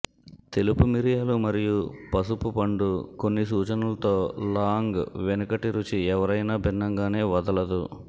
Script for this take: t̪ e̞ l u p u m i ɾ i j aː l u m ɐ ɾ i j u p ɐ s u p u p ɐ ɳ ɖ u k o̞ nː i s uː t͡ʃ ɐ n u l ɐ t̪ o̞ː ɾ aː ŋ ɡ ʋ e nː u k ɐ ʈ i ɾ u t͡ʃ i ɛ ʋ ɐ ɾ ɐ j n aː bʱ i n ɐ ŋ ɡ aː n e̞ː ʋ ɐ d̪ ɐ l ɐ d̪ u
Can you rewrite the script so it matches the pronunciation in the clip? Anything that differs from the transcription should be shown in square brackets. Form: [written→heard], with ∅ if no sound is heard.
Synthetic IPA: t̪ e̞ l u p u m i ɾ i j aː l u m ɐ ɾ i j u p ɐ s u p u p ɐ ɳ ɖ u k o̞ nː i s uː t͡ʃ ɐ n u l ɐ t̪ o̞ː [ɾ→l] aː ŋ ɡ ʋ e [nː→n] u k ɐ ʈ i ɾ u t͡ʃ i ɛ ʋ ɐ ɾ ɐ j n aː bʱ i [n→nː] ɐ ŋ ɡ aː n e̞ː ʋ ɐ d̪ ɐ l ɐ d̪ u